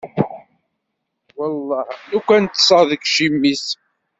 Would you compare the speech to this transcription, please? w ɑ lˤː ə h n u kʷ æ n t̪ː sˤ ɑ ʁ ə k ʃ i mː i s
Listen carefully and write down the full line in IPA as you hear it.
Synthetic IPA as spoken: w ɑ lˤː ɑ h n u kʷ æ n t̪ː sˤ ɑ ð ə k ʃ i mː i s